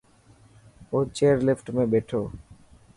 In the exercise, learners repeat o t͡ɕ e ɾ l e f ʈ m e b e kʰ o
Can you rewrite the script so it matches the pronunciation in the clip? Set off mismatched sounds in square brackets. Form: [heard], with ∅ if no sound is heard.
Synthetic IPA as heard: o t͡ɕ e ɾ l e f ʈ m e b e [ʈʰ] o